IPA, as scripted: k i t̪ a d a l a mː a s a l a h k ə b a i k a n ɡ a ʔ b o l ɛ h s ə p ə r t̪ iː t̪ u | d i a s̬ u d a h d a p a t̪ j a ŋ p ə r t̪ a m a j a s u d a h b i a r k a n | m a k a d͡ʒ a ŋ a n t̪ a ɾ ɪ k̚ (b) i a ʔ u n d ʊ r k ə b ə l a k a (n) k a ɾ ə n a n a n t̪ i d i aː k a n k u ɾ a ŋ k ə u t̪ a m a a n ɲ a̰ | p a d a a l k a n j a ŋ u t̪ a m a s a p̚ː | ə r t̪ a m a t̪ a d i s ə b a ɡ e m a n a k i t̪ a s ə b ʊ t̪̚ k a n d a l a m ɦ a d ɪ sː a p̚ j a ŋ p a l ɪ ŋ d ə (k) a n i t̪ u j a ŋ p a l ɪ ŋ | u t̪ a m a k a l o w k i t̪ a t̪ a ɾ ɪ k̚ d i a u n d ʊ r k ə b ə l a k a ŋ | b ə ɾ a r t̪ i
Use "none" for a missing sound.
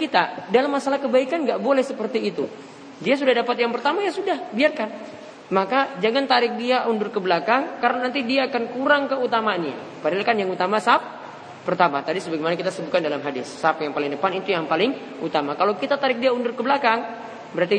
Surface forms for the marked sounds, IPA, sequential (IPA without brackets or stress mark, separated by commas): d, ŋ, p